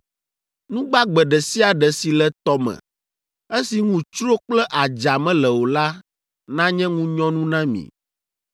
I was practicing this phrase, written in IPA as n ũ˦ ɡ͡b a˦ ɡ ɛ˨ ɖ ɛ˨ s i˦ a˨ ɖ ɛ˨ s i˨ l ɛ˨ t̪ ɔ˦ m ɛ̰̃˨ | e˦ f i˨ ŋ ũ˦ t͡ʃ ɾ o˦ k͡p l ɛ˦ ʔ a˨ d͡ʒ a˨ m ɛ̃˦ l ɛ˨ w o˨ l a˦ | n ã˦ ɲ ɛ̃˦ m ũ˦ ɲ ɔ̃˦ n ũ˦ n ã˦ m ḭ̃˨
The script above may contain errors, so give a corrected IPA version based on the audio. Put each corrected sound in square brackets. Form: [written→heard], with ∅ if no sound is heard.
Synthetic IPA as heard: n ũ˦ ɡ͡b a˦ [ɡ→ɡ͡b] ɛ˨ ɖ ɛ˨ s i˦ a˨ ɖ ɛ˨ s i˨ l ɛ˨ t̪ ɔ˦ m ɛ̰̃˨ | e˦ [f→s] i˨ ŋ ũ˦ t͡ʃ ɾ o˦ k͡p l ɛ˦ ʔ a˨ d͡ʒ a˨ m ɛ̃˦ l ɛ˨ w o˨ l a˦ | n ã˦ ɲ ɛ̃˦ [m→ŋ] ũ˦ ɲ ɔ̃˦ n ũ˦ n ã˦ m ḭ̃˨

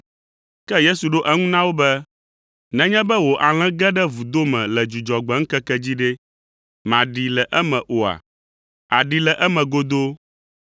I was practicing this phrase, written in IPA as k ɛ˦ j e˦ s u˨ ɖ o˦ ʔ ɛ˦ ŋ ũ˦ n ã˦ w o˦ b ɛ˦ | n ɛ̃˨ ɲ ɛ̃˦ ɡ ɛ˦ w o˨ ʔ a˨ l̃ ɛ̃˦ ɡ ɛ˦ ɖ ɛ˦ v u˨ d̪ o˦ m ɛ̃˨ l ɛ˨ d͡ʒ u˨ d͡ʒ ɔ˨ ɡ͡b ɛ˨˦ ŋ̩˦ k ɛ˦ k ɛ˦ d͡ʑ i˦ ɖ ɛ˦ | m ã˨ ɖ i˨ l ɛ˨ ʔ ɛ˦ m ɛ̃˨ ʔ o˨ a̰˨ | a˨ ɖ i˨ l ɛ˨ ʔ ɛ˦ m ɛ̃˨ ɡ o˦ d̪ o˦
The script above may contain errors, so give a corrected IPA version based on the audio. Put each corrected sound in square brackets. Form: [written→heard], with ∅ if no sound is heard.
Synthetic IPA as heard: k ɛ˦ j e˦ s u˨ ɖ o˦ ʔ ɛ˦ ŋ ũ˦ n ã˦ w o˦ b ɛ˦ | n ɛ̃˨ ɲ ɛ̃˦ [ɡ→b] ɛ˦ w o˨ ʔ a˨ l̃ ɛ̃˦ ɡ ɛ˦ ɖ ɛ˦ v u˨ d̪ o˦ m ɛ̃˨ l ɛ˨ d͡ʒ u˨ d͡ʒ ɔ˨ ɡ͡b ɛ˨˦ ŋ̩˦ k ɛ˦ k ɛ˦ d͡ʑ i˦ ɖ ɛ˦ | m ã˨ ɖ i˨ l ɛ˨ ʔ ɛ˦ m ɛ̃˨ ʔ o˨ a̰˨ | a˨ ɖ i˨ l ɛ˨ ʔ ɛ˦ m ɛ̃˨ ɡ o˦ d̪ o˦

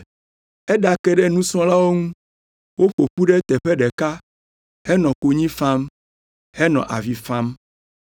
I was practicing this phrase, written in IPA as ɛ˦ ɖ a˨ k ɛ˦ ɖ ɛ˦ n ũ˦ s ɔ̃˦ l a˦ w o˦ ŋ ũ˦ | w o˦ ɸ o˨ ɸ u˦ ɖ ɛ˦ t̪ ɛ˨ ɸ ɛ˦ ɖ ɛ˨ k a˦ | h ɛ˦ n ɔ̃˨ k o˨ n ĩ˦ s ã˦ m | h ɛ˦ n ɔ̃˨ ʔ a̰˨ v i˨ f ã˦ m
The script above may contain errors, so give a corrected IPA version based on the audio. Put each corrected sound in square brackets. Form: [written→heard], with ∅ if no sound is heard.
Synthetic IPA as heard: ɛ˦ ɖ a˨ k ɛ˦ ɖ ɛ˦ n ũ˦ s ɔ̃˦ l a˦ w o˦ ŋ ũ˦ | w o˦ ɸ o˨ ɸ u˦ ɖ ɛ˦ t̪ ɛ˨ ɸ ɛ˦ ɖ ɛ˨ k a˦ | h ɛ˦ n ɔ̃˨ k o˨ [n→ɲ] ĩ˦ [s→f] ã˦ m | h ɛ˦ n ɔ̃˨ ʔ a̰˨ v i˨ f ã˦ m

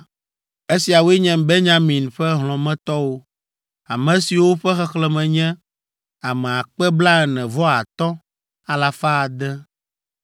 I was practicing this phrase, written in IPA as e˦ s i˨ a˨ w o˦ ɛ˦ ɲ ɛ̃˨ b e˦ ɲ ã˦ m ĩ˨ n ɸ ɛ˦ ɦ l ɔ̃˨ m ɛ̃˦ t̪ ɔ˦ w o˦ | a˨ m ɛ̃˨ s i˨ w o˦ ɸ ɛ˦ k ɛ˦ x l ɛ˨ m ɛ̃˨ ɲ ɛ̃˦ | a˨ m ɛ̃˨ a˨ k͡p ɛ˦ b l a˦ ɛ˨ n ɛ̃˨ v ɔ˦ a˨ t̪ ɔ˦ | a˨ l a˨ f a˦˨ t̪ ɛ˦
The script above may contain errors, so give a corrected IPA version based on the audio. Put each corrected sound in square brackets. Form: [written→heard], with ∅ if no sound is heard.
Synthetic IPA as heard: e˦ s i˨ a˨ w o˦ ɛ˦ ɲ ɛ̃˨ b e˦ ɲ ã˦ m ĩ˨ n ɸ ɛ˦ ɦ l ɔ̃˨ m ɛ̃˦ t̪ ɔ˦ w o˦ | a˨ m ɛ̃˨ s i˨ w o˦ ɸ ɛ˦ [k→x] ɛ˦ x l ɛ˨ m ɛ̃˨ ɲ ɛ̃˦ | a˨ m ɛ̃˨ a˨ k͡p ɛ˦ b l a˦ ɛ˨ n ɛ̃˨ v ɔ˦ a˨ t̪ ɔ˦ | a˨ l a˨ f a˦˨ [t̪→d̪] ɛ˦

